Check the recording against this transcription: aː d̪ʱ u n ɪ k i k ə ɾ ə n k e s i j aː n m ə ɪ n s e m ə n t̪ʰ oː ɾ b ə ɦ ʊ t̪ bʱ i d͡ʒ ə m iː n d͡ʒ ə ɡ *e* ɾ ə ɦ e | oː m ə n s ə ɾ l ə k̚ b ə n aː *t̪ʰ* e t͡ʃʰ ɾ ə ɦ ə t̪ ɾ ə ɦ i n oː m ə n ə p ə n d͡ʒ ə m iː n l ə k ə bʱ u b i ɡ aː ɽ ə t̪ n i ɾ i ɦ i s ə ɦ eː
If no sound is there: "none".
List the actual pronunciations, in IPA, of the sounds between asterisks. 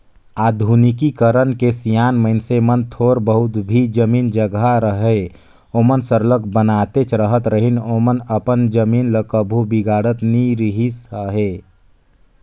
a, t̪

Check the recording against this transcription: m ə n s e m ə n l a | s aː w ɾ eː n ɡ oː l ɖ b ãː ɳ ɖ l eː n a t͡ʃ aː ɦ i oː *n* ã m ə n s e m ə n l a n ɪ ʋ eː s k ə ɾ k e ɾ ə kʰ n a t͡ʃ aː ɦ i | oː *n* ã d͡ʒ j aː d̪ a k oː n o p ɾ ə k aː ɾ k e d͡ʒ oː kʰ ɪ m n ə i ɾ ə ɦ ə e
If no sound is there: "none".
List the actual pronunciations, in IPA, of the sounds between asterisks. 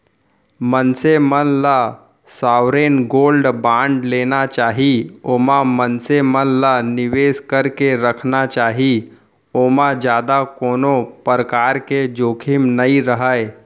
m, m

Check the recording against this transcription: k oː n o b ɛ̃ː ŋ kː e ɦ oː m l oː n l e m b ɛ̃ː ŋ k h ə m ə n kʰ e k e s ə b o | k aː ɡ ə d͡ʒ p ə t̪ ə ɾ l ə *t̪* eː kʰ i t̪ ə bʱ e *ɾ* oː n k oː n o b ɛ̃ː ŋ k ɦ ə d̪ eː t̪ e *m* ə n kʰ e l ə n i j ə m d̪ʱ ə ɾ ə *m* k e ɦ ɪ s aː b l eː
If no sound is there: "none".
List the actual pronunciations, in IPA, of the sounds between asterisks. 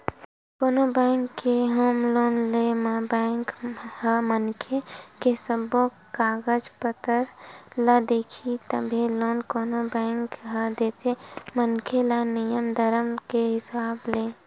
d̪, l, m, m

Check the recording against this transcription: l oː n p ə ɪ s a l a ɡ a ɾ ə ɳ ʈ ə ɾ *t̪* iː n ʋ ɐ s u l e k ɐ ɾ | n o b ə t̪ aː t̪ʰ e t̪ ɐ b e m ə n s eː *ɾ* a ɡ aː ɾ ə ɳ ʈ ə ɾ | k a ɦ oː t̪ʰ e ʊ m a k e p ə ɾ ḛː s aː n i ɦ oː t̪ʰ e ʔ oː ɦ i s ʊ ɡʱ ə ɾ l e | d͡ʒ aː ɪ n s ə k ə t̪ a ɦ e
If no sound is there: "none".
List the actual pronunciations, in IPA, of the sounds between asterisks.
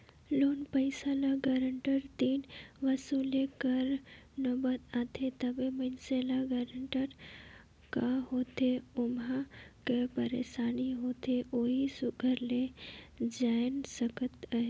t̪, l

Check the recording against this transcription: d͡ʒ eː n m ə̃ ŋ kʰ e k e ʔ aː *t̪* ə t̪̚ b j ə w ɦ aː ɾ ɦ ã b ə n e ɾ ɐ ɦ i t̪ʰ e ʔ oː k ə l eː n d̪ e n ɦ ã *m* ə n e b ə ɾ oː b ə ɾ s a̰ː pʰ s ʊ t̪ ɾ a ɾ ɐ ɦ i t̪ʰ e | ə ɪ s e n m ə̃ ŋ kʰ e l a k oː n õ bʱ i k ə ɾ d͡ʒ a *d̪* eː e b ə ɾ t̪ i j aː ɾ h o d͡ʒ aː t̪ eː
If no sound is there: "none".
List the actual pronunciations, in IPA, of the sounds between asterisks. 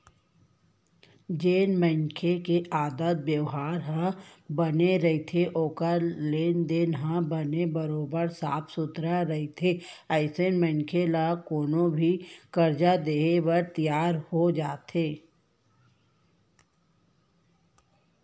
d̪, b, d̪

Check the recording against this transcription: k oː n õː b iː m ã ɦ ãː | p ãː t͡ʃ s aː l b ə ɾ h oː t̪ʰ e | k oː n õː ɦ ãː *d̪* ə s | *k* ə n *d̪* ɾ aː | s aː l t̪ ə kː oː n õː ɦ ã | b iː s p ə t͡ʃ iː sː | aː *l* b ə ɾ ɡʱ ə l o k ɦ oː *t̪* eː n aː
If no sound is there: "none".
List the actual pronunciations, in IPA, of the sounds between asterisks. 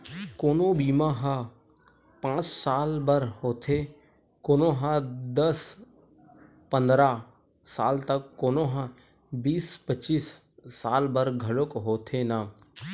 d̪, p, d̪, l, t̪ʰ

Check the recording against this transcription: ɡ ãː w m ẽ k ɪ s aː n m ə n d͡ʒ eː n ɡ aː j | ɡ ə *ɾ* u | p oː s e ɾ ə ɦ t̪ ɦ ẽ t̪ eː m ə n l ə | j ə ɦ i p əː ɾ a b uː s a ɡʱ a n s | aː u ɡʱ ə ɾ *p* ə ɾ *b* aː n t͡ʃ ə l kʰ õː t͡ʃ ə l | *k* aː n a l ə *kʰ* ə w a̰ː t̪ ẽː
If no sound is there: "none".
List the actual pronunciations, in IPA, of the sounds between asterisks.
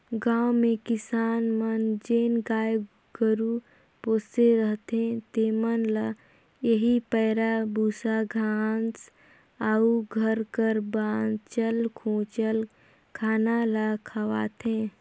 ɾ, k, b, kʰ, kʰ

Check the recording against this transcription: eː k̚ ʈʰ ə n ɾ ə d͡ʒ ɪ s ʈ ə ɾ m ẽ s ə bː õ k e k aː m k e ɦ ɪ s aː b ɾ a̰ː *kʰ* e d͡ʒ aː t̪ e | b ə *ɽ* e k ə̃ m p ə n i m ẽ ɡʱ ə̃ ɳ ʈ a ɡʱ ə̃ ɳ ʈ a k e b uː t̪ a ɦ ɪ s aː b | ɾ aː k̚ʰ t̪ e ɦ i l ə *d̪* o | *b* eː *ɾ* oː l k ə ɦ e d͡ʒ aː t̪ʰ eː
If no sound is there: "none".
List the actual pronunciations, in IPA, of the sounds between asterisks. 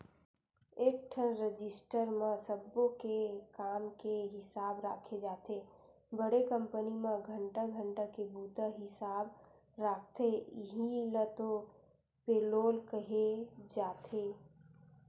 kʰ, ɽ, t̪, p, l

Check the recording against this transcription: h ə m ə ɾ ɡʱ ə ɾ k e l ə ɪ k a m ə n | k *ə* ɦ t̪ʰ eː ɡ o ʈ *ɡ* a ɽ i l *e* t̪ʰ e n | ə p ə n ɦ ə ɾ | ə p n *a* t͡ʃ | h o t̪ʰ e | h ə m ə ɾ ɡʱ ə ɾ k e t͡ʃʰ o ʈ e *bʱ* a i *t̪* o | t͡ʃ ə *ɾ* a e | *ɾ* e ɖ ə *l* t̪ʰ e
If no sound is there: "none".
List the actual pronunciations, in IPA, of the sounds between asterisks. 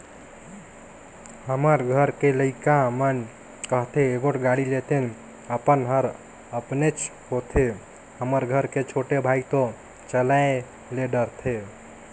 ə, ɡ, e, e, bʱ, t̪, l, l, ɾ

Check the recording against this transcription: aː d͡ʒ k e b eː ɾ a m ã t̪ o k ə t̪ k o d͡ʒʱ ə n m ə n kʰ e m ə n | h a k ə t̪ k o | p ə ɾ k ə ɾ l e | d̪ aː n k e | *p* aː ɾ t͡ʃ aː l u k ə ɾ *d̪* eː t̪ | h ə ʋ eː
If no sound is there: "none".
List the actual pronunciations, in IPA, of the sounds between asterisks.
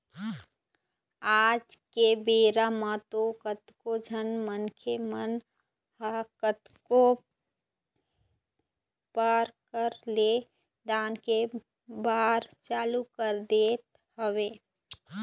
b, d̪

